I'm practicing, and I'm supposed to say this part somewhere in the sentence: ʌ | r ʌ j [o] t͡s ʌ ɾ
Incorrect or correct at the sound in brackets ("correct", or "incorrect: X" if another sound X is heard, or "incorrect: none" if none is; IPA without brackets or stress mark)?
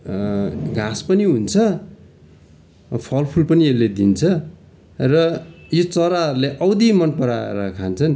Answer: correct